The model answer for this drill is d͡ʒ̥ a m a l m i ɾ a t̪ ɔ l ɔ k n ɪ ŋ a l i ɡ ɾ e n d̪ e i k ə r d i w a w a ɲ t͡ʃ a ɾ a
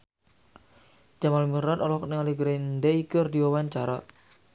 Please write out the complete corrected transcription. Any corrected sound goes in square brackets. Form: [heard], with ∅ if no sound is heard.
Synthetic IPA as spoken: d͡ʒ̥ a m a l m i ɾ a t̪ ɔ l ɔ k n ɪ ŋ a l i ɡ ɾ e n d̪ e i k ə r d i w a w a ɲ t͡ʃ a ɾ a